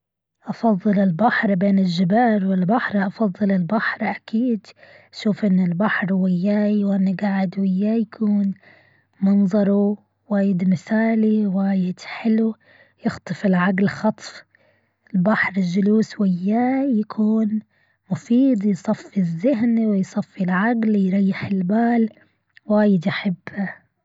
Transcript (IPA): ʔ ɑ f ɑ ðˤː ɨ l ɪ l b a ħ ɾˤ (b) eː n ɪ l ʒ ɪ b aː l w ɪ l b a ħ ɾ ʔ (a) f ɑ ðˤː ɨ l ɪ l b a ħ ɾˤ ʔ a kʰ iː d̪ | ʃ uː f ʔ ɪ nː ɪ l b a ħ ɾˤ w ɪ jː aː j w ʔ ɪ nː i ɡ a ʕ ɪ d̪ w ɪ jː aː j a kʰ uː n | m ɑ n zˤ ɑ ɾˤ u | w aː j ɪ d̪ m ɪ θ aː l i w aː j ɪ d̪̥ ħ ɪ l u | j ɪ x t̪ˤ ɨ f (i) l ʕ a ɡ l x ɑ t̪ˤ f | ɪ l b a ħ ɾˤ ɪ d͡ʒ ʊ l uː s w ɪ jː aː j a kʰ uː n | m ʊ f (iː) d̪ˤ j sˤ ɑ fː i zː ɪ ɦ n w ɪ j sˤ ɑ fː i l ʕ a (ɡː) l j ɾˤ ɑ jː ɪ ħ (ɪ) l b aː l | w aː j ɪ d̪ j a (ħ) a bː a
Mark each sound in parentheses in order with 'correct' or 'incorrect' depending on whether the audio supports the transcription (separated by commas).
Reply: correct, incorrect, incorrect, correct, incorrect, correct, correct